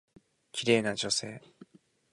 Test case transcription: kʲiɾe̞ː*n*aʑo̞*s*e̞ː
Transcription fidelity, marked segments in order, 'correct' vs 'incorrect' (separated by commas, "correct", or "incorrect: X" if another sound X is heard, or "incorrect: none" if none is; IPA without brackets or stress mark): correct, correct